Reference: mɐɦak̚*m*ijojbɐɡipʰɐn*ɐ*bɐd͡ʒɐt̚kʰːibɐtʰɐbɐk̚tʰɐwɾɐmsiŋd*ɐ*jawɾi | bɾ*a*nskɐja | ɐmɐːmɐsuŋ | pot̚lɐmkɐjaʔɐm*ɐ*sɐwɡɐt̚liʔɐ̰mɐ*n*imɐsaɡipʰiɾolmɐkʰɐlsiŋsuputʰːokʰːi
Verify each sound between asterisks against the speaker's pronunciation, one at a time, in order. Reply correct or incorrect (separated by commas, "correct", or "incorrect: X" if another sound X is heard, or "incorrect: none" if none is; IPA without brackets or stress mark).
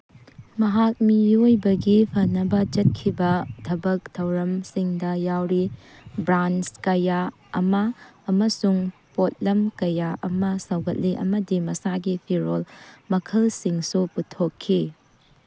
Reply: correct, correct, correct, correct, correct, incorrect: d